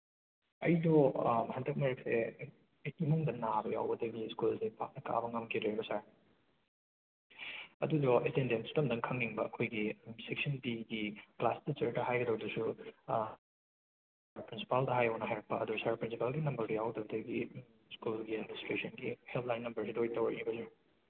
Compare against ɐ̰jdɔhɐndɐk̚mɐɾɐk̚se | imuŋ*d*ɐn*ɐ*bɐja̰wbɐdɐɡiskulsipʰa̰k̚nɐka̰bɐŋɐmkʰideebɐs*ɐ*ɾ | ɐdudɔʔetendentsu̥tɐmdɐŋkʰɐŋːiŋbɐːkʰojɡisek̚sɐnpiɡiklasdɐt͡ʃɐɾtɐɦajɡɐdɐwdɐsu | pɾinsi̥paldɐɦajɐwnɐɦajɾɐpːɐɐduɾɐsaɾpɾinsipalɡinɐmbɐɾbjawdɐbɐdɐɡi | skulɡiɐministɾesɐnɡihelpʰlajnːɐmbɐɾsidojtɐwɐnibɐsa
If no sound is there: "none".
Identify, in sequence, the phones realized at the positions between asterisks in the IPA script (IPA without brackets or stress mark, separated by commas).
d, a, a